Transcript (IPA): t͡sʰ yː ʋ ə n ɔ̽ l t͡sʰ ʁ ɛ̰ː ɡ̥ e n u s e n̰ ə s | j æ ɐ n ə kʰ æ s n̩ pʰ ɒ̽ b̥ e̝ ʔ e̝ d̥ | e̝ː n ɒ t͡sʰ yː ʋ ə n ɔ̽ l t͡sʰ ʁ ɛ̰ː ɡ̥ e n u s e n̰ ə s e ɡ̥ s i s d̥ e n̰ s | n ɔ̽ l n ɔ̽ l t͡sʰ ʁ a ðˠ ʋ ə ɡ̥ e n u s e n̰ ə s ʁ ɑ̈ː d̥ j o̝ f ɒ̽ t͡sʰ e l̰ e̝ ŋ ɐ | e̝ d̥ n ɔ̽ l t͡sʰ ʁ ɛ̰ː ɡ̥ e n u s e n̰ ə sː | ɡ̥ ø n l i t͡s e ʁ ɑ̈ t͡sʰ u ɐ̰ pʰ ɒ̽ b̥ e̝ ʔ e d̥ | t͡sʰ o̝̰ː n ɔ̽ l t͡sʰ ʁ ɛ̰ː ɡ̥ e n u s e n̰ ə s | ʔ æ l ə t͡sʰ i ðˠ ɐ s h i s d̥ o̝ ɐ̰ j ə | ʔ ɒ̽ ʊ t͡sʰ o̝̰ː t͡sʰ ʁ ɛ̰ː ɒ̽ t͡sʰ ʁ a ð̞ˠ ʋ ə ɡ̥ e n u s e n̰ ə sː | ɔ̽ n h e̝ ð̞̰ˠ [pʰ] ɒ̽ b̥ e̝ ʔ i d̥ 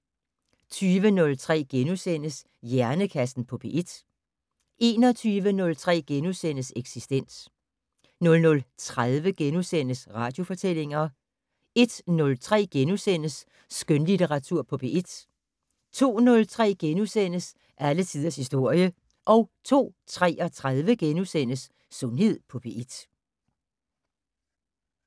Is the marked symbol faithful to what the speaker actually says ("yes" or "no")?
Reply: yes